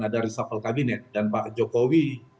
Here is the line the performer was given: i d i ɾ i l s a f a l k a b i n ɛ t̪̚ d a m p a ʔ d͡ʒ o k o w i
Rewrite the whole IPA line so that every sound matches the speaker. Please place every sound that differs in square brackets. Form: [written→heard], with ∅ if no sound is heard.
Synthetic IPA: [i→a] d [i→a] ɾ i [l→∅] s a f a l k a b i n ɛ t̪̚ d a [m→n] p a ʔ d͡ʒ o k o w i